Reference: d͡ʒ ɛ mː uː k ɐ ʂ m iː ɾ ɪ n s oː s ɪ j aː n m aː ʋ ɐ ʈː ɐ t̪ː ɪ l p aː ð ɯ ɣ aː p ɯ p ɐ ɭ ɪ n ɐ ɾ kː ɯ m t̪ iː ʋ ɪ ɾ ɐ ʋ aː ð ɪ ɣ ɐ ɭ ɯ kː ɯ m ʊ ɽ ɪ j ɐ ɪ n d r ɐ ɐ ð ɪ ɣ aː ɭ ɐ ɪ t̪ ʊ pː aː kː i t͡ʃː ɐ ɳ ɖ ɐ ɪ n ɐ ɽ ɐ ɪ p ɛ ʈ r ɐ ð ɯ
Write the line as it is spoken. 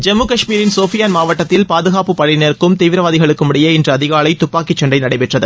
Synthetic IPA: d͡ʒ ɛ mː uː k ɐ ʂ m iː ɾ ɪ n s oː f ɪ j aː n m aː ʋ ɐ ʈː ɐ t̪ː ɪ l p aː ð ɯ ɣ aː p ɯ p ɐ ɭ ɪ n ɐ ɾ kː ɯ m t̪ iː ʋ ɪ ɾ ɐ ʋ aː ð ɪ ɣ ɐ ɭ ɯ kː ɯ m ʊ ɽ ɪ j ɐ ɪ n d r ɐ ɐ ð ɪ ɣ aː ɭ ɐ ɪ t̪ ʊ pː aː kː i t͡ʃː ɐ ɳ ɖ ɐ ɪ n ɐ ɽ ɐ ɪ p ɛ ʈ r ɐ ð ɯ

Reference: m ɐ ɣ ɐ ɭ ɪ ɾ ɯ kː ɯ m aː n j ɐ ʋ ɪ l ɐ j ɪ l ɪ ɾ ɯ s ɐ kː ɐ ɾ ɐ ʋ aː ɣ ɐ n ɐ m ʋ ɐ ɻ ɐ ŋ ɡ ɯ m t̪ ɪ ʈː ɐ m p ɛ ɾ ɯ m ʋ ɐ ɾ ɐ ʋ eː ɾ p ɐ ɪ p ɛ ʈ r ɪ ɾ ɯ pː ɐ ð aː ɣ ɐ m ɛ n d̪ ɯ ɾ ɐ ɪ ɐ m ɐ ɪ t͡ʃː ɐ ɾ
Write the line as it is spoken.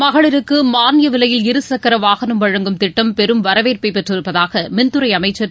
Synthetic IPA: m ɐ ɣ ɐ ɭ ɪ ɾ ɯ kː ɯ m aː n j ɐ ʋ ɪ l ɐ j ɪ l ɪ ɾ ɯ s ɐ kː ɐ ɾ ɐ ʋ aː ɣ ɐ n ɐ m ʋ ɐ ɻ ɐ ŋ ɡ ɯ m t̪ ɪ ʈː ɐ m p ɛ ɾ ɯ m ʋ ɐ ɾ ɐ ʋ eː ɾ p ɐ ɪ p ɛ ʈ r ɪ ɾ ɯ pː ɐ ð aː ɣ ɐ m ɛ n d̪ ɯ ɾ ɐ ɪ ɐ m ɐ ɪ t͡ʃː ɐ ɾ

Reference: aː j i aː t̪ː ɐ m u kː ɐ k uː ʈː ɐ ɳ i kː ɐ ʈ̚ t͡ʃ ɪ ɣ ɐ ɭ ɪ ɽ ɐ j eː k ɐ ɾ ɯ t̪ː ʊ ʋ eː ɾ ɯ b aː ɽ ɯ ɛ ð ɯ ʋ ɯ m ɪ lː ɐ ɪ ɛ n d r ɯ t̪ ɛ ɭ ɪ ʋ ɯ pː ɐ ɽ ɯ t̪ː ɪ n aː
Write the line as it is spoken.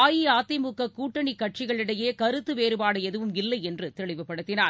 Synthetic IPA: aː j i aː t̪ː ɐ m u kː ɐ k uː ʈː ɐ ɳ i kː ɐ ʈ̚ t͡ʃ ɪ ɣ ɐ ɭ ɪ ɽ ɐ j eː k ɐ ɾ ɯ t̪ː ɯ ʋ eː ɾ ɯ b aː ɽ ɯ ɛ ð ɯ ʋ ɯ m ɪ lː ɐ ɪ ɛ n d r ɯ t̪ ɛ ɭ ɪ ʋ ɯ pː ɐ ɽ ɯ t̪ː ɪ n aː

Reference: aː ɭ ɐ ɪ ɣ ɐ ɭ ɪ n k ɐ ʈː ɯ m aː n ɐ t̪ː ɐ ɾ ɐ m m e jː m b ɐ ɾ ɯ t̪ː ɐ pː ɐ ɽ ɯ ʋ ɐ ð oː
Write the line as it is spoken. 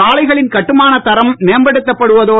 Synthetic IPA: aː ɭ ɐ ɪ ɣ ɐ ɭ ɪ n k ɐ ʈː ɯ m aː n ɐ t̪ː ɐ ɾ ɐ m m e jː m b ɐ ɽ ɯ t̪ː ɐ pː ɐ ɽ ɯ ʋ ɐ ð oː

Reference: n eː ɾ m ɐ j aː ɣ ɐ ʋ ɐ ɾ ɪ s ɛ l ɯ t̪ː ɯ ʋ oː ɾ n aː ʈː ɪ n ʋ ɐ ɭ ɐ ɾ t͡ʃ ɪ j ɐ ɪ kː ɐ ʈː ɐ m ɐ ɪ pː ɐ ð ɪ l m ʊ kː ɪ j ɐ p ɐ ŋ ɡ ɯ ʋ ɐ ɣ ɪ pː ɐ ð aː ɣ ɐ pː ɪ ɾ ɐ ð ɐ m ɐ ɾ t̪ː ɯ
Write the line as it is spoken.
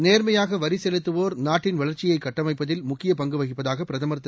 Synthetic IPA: n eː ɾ m ɐ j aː ɣ ɐ ʋ ɐ ɾ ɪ s ɛ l ɯ t̪ː ɯ ʋ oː ɾ n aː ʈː ɪ n ʋ ɐ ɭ ɐ ɾ t͡ʃ ɪ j ɐ ɪ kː ɐ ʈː ɐ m ɐ ɪ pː ɐ ð ɪ l m ʊ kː ɪ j ɐ p ɐ ŋ ɡ ɯ ʋ ɐ ɣ ɪ pː ɐ ð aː ɣ ɐ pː ɪ ɾ ɐ ð ɐ m ɐ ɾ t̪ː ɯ

